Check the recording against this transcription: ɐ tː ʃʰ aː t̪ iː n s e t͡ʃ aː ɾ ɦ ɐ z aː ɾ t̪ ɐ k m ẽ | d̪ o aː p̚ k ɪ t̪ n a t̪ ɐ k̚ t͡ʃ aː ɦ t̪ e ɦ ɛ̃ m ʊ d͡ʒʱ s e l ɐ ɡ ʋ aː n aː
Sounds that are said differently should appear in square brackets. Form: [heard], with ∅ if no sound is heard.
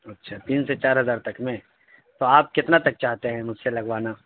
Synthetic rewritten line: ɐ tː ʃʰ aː t̪ iː n s e t͡ʃ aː ɾ ɦ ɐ z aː ɾ t̪ ɐ k m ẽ | [t̪] o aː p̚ k ɪ t̪ n a t̪ ɐ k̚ t͡ʃ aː ɦ t̪ e ɦ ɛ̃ m ʊ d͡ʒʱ s e l ɐ ɡ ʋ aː n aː